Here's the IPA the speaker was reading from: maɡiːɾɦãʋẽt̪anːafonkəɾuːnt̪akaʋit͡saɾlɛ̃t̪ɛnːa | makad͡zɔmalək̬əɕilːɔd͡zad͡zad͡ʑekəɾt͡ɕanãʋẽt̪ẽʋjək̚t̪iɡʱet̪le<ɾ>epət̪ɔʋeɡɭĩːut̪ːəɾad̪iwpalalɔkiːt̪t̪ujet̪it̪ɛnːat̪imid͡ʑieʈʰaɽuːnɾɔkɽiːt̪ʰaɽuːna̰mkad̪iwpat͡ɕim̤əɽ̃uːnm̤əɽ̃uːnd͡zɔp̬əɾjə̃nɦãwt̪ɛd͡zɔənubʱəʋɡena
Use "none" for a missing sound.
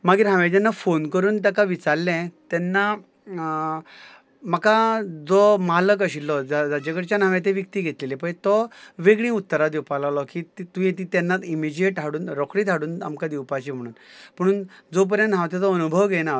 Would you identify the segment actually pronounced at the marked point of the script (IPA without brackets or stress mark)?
l